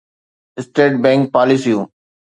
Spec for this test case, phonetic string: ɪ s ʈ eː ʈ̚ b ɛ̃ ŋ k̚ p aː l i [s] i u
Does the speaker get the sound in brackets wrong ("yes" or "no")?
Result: no